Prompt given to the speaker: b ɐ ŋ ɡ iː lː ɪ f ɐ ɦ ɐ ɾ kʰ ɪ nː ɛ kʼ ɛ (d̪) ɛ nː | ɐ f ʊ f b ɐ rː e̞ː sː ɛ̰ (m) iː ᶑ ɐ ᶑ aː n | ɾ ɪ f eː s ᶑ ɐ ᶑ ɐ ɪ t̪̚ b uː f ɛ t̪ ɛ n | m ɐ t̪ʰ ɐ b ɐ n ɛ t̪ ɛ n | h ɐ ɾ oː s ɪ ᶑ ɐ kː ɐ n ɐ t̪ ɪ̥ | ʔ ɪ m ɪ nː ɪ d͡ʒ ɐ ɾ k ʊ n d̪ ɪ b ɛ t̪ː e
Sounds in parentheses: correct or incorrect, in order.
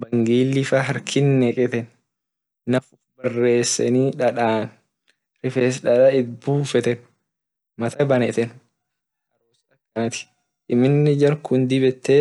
incorrect, incorrect

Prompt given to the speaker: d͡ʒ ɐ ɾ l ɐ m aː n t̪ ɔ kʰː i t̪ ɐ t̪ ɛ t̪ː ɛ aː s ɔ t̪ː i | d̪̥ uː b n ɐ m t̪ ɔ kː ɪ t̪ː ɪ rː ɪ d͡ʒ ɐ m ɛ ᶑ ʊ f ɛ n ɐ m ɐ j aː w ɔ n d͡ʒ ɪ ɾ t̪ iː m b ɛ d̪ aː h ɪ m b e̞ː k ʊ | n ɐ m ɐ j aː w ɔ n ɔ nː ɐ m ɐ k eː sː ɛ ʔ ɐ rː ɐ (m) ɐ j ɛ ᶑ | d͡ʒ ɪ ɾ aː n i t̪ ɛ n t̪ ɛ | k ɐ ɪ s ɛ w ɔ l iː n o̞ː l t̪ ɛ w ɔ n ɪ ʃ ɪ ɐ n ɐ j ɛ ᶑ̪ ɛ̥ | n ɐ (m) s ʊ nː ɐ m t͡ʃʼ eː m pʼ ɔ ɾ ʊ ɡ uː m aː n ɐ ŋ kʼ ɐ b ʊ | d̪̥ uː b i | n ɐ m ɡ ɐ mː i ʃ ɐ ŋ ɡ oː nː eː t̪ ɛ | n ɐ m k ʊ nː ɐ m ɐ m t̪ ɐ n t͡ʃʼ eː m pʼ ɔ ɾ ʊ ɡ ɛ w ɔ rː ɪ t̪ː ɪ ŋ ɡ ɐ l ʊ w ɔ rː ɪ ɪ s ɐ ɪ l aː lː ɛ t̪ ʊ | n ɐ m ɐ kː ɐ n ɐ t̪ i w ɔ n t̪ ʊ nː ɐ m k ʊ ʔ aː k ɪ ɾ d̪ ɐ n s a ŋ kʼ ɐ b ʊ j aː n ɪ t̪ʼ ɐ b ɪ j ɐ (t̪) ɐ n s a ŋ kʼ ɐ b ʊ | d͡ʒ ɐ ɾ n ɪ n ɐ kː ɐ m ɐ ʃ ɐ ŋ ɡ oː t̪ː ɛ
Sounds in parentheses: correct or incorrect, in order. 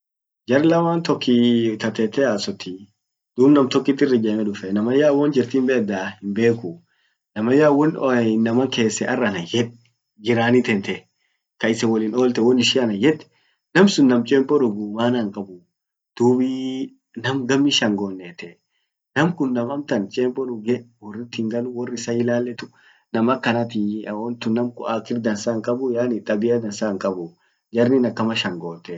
incorrect, correct, incorrect

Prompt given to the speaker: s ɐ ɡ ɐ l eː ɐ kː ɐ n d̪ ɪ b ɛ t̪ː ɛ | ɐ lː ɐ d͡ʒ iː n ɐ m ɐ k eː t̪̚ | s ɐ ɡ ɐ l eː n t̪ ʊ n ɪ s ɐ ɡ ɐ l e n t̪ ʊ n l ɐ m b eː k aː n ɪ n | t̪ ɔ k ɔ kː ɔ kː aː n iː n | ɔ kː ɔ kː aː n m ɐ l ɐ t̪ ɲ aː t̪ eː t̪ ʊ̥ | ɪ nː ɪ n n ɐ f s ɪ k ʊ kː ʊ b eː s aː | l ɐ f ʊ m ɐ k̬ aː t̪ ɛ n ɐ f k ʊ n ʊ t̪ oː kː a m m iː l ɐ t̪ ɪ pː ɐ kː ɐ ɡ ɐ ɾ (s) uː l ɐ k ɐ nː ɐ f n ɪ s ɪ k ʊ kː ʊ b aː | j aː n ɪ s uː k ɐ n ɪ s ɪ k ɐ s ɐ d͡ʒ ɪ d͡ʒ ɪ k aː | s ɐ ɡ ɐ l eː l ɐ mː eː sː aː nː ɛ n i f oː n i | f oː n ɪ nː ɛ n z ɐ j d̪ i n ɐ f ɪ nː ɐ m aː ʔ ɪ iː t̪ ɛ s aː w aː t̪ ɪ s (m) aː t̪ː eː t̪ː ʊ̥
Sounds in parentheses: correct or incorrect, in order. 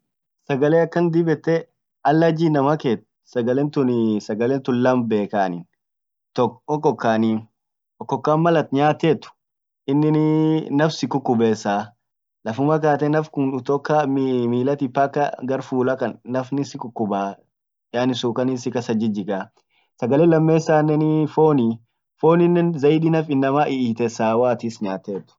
incorrect, incorrect

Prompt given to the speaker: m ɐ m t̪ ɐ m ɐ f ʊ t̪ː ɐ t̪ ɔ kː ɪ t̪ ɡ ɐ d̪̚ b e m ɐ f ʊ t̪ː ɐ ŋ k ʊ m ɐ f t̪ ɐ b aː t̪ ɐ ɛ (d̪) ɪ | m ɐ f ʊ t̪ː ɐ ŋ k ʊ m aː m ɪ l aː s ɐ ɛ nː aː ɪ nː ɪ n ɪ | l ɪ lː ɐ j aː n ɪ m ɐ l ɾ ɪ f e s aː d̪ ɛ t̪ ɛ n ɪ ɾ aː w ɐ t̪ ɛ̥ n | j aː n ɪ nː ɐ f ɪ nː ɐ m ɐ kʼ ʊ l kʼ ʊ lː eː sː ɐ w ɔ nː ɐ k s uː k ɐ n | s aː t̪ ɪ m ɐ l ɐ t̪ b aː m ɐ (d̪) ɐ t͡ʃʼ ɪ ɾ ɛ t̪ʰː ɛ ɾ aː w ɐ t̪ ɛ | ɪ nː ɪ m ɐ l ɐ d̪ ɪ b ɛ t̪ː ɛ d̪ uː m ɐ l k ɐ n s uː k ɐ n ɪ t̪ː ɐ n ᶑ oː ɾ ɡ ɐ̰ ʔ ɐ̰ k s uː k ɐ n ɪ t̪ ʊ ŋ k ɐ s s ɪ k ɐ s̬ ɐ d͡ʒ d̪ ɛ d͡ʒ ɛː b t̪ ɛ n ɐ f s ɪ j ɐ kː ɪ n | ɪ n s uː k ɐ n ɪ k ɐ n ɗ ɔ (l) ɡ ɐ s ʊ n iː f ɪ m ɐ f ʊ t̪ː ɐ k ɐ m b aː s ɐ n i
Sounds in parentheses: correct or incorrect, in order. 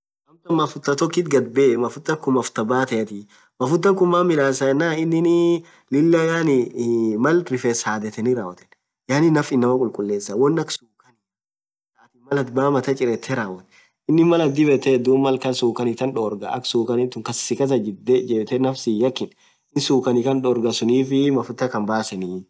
incorrect, incorrect, incorrect

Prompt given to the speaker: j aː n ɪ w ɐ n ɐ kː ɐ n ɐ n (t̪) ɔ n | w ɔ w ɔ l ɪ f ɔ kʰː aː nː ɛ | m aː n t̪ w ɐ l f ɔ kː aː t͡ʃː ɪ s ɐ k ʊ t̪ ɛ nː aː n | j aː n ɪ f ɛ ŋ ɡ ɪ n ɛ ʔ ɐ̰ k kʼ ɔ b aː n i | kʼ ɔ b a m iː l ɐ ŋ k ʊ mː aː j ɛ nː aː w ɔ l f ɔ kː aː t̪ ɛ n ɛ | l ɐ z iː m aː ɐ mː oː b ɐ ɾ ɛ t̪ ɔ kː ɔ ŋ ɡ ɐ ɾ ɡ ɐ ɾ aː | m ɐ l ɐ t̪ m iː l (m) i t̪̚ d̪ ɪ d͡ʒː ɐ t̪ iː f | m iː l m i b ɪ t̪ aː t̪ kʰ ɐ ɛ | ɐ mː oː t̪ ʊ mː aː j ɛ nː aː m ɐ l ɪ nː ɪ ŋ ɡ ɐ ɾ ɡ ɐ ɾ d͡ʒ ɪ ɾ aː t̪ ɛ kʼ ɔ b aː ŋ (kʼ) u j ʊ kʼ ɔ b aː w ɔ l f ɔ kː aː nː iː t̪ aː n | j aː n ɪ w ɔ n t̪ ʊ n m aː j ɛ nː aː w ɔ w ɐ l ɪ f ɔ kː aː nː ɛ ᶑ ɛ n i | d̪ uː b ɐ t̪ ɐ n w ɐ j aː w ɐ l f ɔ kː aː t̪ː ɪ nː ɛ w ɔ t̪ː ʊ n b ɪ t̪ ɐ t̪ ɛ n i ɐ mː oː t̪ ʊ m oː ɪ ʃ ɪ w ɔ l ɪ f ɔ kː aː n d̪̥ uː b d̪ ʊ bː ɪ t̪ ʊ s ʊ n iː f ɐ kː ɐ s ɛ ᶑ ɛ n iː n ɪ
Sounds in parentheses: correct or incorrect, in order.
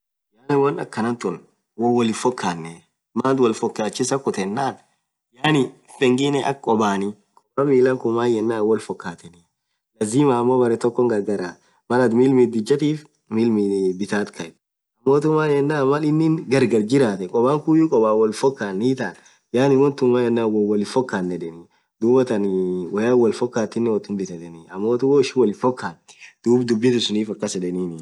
correct, correct, incorrect

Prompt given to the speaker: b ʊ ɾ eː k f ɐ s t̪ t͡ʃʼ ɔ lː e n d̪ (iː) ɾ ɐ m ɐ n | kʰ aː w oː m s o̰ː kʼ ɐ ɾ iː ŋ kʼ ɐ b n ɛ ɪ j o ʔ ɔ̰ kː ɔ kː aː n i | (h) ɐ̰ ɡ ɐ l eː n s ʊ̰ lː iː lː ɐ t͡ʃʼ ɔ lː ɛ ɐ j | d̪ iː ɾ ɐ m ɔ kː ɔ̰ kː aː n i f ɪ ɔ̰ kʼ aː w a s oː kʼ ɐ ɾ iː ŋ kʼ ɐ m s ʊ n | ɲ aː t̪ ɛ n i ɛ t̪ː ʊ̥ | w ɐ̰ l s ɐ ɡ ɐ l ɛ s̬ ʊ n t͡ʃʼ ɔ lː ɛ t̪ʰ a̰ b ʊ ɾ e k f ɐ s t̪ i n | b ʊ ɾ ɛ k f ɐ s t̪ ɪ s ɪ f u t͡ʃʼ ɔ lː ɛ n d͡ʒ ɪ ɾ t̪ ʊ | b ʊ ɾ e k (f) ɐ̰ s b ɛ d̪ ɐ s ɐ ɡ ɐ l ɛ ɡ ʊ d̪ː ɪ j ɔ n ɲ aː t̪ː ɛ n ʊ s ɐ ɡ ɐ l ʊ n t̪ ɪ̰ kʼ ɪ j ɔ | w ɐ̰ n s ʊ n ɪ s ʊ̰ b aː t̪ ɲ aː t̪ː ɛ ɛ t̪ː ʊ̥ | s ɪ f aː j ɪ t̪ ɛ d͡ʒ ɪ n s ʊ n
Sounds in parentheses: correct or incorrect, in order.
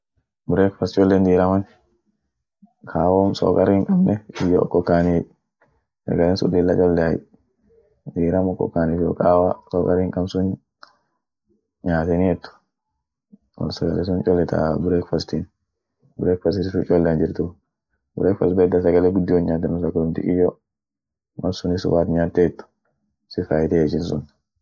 correct, incorrect, correct

